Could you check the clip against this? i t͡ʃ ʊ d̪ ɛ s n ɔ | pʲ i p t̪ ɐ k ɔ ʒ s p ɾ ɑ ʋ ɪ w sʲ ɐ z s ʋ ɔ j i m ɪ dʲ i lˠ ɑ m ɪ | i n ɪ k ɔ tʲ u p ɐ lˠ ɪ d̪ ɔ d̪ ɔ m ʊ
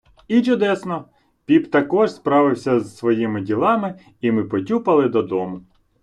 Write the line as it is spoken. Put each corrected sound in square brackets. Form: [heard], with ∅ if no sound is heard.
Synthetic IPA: i t͡ʃ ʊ d̪ ɛ s n ɔ | pʲ i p t̪ ɐ k ɔ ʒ s p ɾ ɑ ʋ ɪ w sʲ ɐ z s ʋ ɔ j i m ɪ dʲ i lˠ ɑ m ɪ | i [m] ɪ [p] ɔ tʲ u p ɐ lˠ ɪ d̪ ɔ d̪ ɔ m ʊ